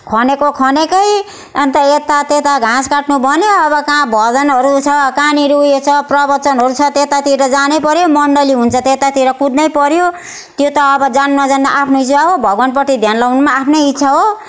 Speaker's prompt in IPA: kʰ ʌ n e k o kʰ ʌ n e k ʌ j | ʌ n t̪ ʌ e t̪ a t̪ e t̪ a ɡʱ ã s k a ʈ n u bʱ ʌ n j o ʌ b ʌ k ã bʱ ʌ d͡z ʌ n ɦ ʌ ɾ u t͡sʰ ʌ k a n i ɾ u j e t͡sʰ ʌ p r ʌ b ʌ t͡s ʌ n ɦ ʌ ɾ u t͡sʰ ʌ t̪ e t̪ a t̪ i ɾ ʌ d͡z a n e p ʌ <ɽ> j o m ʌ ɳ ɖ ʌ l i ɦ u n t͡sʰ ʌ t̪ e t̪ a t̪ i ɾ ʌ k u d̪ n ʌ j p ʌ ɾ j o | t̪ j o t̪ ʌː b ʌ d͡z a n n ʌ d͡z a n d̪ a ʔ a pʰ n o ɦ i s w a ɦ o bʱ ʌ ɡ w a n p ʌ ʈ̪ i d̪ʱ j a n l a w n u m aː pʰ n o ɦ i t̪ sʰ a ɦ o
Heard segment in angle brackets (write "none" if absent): ɾ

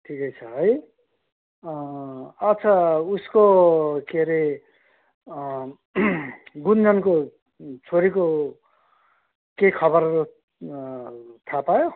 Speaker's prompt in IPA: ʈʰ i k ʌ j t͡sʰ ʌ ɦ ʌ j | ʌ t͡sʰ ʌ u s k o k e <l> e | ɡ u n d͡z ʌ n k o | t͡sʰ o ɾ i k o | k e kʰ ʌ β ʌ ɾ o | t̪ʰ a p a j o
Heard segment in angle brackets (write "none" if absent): ɾ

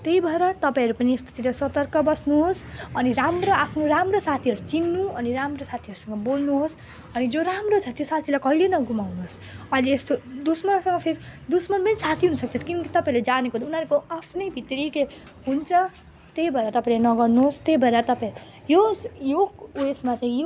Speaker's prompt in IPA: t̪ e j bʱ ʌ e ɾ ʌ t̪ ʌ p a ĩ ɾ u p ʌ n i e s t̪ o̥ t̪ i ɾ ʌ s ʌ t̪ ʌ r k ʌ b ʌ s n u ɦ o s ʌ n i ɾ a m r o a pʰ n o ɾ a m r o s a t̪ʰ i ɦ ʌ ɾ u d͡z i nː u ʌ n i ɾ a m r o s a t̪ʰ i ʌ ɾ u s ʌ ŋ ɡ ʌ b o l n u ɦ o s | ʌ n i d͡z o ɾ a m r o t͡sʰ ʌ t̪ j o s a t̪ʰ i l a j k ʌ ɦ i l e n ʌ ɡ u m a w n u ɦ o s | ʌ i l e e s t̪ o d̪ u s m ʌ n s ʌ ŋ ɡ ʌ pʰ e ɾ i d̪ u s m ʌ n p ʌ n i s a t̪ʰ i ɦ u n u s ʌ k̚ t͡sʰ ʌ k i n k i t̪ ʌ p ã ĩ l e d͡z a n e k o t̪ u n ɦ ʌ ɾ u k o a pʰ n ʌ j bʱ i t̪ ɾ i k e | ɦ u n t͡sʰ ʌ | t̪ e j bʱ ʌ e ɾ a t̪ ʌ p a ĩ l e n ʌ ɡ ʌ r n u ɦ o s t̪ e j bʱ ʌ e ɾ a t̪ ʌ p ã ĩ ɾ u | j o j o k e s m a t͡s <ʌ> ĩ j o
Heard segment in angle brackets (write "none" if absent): a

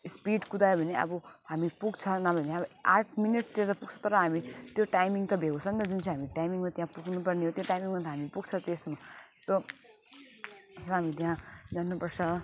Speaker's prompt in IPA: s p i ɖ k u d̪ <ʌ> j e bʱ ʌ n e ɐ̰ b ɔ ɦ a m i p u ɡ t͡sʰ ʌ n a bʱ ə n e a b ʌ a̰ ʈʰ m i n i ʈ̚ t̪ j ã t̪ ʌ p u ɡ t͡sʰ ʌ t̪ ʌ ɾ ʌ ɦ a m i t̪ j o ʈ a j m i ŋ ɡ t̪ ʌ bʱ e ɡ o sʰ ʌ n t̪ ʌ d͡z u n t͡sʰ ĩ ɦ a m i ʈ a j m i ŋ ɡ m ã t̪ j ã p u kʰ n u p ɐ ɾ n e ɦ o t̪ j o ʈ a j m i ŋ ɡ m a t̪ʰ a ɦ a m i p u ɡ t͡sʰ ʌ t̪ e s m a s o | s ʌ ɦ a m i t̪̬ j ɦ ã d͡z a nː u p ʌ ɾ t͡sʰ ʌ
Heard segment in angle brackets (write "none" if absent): a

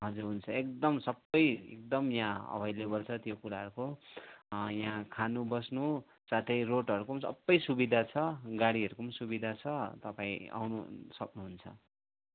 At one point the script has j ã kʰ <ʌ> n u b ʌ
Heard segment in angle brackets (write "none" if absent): a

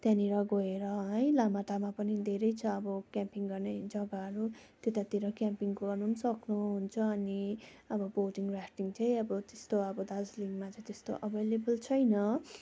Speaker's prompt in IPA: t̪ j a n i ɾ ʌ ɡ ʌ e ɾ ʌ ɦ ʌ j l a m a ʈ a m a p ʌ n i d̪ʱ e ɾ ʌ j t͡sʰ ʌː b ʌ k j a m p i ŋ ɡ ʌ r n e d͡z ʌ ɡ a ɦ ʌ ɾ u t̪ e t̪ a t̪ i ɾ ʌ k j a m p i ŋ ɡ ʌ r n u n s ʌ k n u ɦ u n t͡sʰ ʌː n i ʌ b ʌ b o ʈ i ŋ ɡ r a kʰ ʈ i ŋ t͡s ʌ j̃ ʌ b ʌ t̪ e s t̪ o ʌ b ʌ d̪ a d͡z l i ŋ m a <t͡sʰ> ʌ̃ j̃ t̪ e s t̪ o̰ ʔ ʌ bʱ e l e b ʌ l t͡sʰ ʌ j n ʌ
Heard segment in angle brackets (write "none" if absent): t͡s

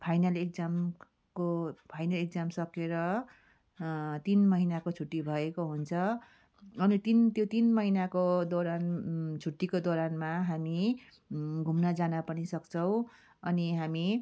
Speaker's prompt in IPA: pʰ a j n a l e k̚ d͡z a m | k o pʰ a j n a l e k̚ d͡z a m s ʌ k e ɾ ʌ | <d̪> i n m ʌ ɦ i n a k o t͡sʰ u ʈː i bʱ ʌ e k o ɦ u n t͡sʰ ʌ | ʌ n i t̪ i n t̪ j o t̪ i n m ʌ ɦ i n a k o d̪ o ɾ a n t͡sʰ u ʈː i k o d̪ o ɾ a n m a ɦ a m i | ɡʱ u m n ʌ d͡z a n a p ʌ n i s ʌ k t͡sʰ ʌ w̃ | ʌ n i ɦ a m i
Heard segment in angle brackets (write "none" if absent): t̪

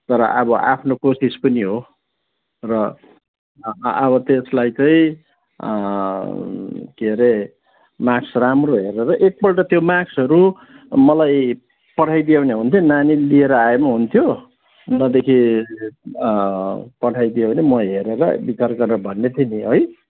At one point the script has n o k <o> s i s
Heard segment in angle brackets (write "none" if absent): o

